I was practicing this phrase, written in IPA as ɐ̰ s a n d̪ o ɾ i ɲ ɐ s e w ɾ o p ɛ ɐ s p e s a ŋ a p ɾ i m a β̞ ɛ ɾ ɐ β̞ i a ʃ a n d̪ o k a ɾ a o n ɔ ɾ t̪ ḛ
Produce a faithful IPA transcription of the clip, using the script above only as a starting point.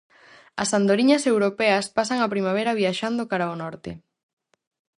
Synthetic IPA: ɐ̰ s a n d̪ o ɾ i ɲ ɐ s e w ɾ o p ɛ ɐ s p a s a ŋ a p ɾ i m a β̞ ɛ ɾ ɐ β̞ i a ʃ a n d̪ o k a ɾ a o n ɔ ɾ t̪ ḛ